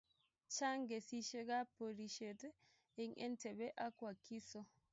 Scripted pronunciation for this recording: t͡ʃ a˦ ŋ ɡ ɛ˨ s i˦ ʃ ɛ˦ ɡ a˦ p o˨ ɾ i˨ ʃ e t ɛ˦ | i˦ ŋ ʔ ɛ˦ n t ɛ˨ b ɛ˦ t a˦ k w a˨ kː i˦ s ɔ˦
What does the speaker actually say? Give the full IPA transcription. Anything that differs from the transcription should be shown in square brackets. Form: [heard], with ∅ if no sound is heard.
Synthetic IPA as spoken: t͡ʃ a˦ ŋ ɡ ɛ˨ s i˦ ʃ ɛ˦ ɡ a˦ p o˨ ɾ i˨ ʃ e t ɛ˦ | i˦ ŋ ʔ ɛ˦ n t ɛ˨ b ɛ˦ [ʔ] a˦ k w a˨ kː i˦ s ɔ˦